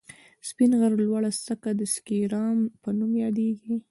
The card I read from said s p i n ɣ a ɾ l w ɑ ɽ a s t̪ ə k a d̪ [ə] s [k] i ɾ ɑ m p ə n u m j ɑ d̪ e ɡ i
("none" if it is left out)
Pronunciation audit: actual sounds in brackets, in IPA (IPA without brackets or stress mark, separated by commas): ə, k